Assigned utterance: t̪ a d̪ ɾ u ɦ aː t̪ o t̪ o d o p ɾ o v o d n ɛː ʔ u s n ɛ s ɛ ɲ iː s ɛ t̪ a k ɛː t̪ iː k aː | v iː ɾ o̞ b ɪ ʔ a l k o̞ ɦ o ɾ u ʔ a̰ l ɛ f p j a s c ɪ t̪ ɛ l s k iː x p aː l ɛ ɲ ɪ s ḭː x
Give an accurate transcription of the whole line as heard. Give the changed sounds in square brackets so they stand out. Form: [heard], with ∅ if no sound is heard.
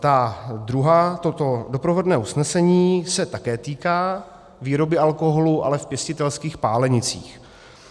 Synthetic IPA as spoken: t̪ a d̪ ɾ u ɦ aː t̪ o t̪ o d o p ɾ o v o d n ɛː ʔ u s n ɛ s ɛ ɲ iː s ɛ t̪ a k ɛː t̪ iː k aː | v iː ɾ o̞ b ɪ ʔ a l k o̞ ɦ o [l] u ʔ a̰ l ɛ f p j [ɛ] s c ɪ t̪ ɛ l s k iː x p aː l ɛ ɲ ɪ [t͡s] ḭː x